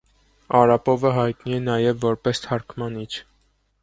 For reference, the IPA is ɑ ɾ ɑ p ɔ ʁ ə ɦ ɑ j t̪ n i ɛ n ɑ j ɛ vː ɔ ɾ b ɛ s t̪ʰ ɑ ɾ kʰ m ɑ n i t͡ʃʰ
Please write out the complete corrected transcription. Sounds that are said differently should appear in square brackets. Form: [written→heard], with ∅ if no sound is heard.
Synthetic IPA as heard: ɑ ɾ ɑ p ɔ [ʁ→v] ə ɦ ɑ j t̪ n i ɛ n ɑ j ɛ vː ɔ ɾ [b→p] ɛ s t̪ʰ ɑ ɾ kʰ m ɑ n i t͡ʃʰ